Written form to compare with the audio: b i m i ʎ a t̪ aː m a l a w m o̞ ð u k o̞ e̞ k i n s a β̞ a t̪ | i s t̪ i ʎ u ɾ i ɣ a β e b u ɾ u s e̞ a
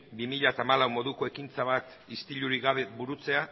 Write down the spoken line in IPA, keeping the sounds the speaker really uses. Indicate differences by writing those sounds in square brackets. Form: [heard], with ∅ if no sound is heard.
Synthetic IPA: b i m i ʎ a t̪ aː m a l a w m o̞ ð u k o̞ e̞ k i n [t͡s] a β̞ a t̪ | i s t̪ i ʎ u ɾ i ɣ a β e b u ɾ u [t͡s] e̞ a